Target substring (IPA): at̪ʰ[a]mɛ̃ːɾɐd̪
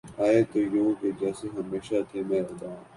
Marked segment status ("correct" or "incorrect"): incorrect